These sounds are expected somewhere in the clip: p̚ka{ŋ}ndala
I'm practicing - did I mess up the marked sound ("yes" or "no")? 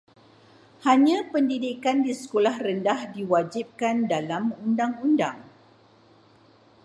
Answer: yes